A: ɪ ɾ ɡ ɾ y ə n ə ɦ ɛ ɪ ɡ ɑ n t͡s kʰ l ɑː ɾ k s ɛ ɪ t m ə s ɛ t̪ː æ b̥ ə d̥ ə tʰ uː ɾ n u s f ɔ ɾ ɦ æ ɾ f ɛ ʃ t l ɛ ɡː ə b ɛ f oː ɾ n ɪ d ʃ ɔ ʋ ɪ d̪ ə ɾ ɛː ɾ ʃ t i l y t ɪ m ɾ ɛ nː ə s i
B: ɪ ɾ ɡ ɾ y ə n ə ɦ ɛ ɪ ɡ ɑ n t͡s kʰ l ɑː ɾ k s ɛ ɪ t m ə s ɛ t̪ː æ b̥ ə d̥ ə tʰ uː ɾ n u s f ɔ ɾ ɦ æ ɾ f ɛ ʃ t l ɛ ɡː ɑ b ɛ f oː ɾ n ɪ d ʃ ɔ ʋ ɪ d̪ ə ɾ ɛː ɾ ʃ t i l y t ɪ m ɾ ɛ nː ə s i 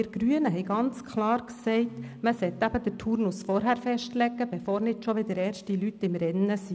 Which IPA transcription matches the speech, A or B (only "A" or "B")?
A